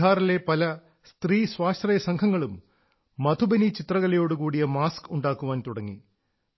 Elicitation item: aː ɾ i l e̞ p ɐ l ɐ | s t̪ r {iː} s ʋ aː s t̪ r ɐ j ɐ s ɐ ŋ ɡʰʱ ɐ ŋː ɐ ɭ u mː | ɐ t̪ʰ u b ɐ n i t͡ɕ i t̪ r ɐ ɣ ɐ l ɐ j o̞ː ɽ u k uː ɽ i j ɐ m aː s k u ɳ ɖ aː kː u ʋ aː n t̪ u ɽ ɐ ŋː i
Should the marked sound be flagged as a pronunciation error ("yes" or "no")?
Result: no